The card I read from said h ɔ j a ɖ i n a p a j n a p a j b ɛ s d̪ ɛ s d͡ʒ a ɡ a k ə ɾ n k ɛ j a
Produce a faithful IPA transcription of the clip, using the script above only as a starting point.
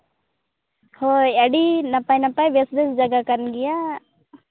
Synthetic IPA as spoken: h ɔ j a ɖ i n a p a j n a p a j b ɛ s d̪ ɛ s d͡ʒ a ɡ a k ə ɾ n ɡ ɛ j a